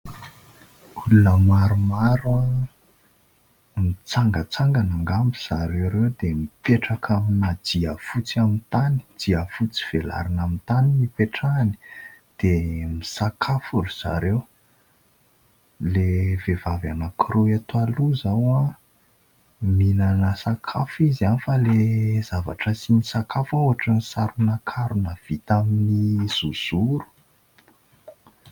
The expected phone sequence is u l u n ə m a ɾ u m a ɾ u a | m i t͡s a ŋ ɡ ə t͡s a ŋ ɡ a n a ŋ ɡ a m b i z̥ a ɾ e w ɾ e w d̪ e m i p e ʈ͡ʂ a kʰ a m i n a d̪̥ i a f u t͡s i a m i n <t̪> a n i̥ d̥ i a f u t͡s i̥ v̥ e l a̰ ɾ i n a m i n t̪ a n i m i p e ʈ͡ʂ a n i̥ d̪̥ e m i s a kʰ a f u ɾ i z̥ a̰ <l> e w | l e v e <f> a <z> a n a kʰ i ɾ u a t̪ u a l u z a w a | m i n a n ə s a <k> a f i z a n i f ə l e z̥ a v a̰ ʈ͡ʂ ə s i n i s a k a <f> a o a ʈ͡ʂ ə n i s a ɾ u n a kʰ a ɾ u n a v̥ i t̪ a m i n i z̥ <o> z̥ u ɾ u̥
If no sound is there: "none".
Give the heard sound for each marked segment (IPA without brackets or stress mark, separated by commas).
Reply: t̪, ɾ, v, v, kʰ, f, u